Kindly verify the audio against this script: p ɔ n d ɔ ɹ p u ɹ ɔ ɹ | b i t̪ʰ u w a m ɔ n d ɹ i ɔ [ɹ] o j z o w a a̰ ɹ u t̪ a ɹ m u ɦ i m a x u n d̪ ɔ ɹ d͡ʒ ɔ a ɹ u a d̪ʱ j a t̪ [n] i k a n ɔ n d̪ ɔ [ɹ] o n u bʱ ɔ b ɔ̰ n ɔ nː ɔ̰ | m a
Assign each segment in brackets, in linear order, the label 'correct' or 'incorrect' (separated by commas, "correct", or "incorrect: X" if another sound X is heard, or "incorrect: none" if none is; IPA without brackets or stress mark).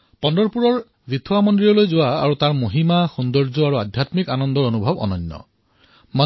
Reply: incorrect: l, incorrect: m, correct